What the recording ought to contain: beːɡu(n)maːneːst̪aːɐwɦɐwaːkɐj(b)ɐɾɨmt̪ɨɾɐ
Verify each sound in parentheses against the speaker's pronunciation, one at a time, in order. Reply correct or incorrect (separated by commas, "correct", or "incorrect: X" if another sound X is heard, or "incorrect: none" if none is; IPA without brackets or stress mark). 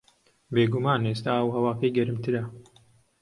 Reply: incorrect: none, incorrect: ɡ